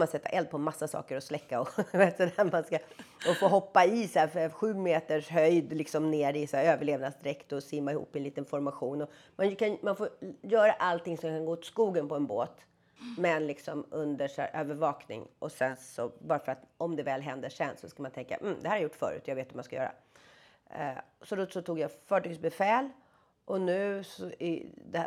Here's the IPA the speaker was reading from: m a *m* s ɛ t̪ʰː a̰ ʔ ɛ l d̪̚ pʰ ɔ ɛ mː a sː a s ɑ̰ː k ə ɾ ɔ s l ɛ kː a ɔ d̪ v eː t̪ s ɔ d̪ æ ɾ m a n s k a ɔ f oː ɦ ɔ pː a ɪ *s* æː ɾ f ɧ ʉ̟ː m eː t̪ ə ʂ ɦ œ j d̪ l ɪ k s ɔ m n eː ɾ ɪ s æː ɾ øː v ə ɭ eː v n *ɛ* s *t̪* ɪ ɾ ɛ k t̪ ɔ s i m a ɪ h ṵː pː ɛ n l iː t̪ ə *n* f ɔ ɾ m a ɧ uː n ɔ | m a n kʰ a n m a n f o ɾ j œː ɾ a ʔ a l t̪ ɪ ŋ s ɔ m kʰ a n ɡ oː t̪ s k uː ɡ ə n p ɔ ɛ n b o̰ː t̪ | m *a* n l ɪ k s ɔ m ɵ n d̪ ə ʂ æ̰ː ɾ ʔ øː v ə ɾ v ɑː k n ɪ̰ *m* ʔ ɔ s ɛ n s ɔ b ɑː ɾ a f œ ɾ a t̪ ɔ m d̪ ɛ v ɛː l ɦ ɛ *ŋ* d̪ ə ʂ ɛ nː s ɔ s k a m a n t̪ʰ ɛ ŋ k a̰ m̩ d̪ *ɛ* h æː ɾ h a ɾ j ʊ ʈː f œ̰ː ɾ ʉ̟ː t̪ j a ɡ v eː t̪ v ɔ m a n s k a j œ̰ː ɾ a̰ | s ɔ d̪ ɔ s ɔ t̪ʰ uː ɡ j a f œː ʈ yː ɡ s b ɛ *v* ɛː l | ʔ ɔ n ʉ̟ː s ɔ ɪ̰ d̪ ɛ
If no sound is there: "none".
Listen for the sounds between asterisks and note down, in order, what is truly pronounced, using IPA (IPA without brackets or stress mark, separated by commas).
n, s, a, d̪, n, ɛ, ŋ, n, ɛ, f